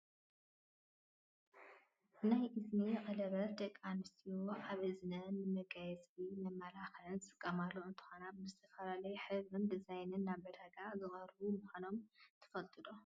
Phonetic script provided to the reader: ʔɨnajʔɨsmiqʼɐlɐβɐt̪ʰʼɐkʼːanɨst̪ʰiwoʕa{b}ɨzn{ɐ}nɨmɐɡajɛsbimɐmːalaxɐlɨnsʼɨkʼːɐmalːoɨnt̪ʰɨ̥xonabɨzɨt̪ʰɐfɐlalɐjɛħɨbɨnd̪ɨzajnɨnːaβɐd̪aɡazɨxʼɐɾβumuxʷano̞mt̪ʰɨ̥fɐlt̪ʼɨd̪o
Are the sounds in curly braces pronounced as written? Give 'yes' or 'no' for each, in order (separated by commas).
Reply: no, yes